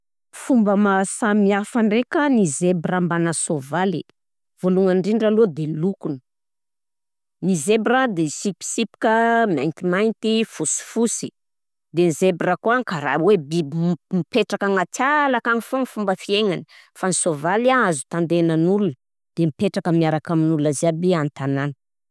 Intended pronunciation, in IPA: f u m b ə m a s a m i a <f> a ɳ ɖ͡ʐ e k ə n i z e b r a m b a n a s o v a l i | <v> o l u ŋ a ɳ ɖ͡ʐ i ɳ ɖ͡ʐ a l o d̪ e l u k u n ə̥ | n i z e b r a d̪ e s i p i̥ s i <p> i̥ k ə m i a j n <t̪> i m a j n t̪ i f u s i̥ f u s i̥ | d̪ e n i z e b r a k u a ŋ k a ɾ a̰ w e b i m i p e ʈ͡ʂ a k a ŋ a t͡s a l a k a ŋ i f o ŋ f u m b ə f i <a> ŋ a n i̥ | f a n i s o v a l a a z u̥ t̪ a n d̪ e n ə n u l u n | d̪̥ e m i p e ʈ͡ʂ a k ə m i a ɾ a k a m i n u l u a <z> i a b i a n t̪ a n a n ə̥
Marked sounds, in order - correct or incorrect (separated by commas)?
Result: correct, correct, correct, correct, incorrect, correct